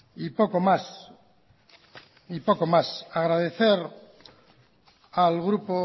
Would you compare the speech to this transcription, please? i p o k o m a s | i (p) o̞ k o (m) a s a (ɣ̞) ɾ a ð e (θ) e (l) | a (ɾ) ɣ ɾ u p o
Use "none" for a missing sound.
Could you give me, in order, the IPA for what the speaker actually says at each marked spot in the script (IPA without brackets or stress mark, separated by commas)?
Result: p, m, ɣ̞, θ, ɾ, l